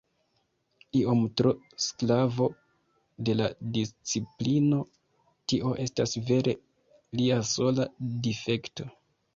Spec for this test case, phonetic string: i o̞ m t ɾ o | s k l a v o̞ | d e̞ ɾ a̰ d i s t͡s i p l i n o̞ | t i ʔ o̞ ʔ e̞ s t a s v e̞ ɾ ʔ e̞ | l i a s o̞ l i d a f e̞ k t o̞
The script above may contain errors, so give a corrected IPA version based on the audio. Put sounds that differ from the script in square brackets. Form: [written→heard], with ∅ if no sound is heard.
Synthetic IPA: i o̞ m t ɾ o | s k l a v o̞ | d e̞ [ɾ→l] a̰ d i s t͡s i p l i n o̞ | t i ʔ o̞ ʔ e̞ s t a s v e̞ ɾ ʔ e̞ | l i a s o̞ l [i→a] d [a→i] f e̞ k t o̞